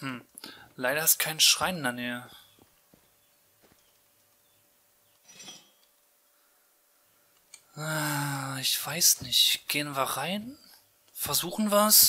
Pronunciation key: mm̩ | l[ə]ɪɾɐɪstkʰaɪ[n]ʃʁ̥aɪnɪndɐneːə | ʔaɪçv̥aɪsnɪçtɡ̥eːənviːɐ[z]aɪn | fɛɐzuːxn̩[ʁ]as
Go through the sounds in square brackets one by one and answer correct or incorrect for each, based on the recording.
incorrect, correct, incorrect, incorrect

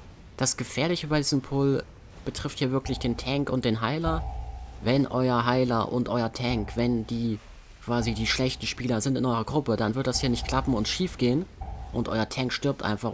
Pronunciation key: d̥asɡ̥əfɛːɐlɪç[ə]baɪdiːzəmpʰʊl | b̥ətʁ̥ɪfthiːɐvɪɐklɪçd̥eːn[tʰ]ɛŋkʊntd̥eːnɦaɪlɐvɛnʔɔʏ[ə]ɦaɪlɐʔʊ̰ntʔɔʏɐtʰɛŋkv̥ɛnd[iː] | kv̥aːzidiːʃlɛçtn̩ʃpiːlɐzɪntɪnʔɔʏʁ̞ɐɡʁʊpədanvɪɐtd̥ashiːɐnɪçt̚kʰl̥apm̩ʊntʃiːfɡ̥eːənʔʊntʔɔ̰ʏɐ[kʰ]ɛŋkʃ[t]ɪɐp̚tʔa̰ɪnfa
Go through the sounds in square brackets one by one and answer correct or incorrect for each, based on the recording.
correct, correct, incorrect, correct, incorrect, correct

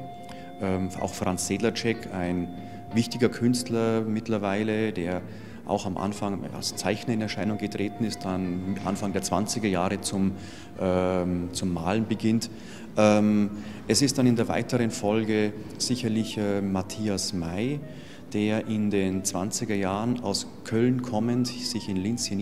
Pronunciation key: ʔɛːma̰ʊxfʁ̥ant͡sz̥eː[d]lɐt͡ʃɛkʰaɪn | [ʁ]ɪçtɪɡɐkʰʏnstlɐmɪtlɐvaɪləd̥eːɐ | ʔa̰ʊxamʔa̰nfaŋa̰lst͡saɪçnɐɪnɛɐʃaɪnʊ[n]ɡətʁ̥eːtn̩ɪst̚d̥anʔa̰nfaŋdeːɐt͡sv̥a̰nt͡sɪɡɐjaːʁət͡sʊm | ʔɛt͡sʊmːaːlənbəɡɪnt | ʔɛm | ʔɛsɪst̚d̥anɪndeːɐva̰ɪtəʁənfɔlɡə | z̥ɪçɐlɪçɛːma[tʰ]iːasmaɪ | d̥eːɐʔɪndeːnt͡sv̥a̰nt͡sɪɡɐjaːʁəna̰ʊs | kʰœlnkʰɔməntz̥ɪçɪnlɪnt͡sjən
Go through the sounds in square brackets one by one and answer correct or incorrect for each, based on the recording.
correct, incorrect, incorrect, correct

